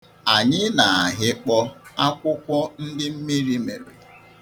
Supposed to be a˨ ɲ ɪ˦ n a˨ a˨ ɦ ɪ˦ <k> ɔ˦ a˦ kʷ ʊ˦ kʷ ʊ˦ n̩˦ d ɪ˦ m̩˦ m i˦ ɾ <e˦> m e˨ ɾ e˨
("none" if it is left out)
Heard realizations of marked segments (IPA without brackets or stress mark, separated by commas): k͡p, i˦